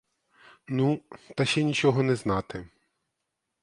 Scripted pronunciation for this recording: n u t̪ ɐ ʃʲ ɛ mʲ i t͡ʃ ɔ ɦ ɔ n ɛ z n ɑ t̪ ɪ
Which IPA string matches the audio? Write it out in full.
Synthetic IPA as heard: n u t̪ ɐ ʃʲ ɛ nʲ i t͡ʃ ɔ ɦ ɔ n ɛ z n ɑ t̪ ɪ